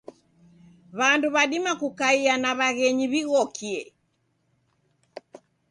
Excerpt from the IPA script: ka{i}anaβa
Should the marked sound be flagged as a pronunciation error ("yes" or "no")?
no